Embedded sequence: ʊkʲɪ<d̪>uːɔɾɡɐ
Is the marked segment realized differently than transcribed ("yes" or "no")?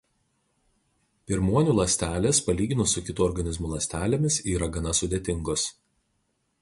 yes